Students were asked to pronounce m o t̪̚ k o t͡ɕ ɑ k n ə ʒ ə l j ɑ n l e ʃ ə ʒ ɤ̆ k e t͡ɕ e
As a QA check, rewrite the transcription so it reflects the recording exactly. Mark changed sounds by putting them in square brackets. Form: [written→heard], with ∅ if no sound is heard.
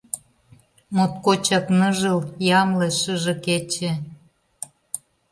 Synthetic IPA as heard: m o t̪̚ k o t͡ɕ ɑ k n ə ʒ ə l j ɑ [n→m] l e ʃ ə ʒ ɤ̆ k e t͡ɕ e